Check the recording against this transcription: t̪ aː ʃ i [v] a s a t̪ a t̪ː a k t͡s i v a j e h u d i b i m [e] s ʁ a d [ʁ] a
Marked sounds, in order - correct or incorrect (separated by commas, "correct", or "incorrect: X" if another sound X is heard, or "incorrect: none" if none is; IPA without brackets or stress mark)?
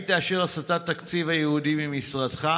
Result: incorrect: ʁ, incorrect: i, incorrect: χ